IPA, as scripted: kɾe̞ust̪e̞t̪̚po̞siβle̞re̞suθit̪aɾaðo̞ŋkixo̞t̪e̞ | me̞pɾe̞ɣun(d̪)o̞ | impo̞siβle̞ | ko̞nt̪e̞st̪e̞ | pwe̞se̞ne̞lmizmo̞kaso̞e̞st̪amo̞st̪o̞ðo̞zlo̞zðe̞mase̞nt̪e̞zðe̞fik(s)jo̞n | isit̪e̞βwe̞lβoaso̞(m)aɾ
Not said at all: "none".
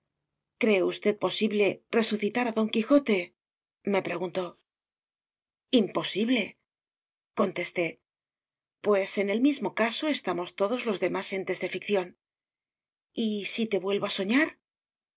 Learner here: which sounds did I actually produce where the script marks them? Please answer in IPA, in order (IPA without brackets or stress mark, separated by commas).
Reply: t̪, θ, ɲ